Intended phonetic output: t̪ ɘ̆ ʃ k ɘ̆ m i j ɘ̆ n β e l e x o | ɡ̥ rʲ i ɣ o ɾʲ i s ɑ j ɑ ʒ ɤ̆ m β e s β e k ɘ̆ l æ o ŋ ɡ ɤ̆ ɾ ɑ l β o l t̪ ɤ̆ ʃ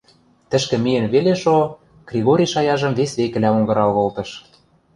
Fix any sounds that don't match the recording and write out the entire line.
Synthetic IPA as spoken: t̪ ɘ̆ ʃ k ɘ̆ m i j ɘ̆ n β e l e ʃ o | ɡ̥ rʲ i ɣ o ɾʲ i ʃ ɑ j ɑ ʒ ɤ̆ m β e s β e k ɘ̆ l æ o ŋ ɡ ɤ̆ ɾ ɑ l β o l t̪ ɤ̆ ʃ